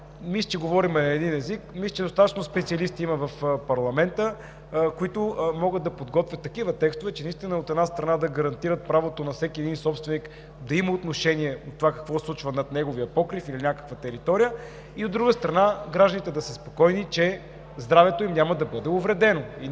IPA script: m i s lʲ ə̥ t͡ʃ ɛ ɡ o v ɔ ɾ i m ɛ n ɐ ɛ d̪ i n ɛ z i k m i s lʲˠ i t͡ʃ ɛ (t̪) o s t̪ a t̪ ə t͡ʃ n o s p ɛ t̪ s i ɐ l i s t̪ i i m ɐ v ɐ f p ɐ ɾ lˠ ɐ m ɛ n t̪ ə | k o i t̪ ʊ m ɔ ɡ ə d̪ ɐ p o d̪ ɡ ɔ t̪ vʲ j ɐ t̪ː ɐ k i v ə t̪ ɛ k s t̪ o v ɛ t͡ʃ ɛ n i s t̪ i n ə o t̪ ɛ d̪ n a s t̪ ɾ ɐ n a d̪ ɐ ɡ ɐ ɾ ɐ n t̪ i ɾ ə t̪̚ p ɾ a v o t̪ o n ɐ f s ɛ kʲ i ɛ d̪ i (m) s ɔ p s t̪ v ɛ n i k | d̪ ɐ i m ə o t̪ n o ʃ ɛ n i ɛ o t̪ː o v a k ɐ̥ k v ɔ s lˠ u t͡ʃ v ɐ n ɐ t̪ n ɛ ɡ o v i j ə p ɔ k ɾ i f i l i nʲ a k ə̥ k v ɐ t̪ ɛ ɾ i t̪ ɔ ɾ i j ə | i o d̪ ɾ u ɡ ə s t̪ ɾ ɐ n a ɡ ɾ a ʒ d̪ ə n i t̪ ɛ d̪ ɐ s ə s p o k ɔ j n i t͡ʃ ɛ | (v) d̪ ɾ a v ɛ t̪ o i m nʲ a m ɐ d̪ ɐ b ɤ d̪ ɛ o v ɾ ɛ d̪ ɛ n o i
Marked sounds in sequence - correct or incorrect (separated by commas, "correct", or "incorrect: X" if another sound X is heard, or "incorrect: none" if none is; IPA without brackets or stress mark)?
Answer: incorrect: d̪, incorrect: n, incorrect: z